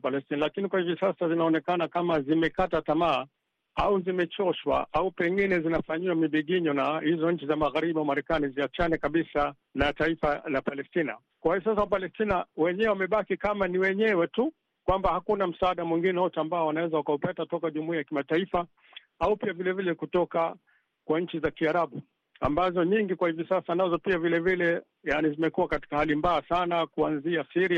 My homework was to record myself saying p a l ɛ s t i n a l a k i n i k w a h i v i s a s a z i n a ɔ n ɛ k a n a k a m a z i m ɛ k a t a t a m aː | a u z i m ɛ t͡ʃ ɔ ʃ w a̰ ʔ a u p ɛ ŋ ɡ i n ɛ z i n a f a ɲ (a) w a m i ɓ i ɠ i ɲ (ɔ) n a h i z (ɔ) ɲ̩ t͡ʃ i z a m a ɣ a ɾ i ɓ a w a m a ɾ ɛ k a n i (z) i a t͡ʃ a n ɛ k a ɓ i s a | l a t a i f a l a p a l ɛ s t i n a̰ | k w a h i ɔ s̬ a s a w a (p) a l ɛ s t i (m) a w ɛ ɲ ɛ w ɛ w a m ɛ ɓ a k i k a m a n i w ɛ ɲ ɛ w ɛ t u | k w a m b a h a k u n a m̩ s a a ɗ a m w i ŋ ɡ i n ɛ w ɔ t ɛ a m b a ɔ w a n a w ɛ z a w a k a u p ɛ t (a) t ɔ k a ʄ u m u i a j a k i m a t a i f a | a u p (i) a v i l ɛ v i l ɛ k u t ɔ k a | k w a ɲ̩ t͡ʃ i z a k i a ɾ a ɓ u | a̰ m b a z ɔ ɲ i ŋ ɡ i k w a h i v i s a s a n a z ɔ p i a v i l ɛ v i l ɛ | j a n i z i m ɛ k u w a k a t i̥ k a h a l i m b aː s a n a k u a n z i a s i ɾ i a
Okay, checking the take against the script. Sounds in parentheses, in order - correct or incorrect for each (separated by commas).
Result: incorrect, correct, correct, correct, correct, incorrect, correct, correct